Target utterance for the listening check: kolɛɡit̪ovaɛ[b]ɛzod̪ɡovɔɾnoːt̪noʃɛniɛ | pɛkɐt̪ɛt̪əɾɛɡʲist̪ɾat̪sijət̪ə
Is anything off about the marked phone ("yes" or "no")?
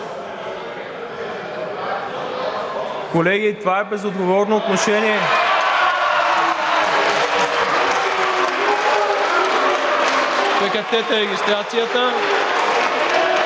no